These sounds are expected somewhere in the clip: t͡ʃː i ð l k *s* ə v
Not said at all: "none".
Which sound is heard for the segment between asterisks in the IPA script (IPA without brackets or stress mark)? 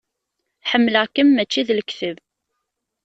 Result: θ